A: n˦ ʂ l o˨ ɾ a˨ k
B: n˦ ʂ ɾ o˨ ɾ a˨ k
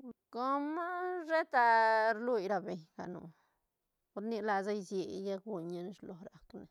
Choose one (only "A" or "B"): A